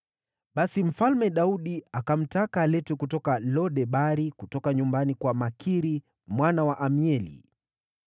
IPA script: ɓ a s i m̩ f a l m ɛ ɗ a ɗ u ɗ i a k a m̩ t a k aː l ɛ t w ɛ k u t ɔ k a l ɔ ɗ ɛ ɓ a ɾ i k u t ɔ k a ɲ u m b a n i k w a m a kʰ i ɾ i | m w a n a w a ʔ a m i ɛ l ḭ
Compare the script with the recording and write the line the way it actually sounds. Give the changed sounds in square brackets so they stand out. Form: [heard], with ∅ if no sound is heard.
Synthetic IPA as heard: ɓ a s i m̩ f a l m ɛ ɗ a [∅] u ɗ i a k a m̩ t a k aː l ɛ t w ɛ k u t ɔ k a l ɔ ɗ ɛ ɓ a ɾ i k u t ɔ k a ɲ u m b a n i k w a m a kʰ i ɾ i | m w a n a w a ʔ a m i ɛ l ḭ